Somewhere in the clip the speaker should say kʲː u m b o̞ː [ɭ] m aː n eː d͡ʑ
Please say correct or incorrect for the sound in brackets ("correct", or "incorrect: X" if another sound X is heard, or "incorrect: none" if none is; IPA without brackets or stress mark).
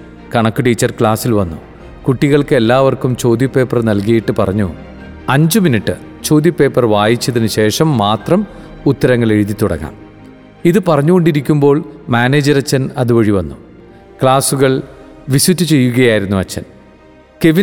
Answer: correct